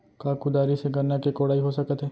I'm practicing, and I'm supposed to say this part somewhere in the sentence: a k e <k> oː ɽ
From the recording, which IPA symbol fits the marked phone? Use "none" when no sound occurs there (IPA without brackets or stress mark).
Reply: k